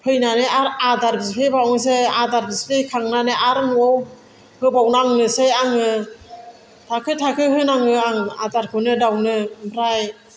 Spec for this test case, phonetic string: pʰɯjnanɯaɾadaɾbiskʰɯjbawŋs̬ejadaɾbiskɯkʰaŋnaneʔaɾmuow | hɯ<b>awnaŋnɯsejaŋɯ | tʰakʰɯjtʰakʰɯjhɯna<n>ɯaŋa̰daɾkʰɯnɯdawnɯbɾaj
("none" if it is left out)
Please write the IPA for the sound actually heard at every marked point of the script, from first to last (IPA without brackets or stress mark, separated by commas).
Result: b, ŋ